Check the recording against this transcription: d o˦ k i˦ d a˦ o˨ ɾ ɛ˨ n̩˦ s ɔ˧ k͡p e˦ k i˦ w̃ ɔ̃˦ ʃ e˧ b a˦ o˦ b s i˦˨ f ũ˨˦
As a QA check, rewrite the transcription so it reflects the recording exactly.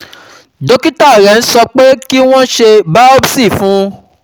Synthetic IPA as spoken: d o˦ k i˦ t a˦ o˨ ɾ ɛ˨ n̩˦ s ɔ˧ k͡p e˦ k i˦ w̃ ɔ̃˦ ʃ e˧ b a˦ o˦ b s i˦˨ f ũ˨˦